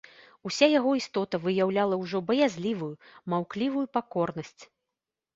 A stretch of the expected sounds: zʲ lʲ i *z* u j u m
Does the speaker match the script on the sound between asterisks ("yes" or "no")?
no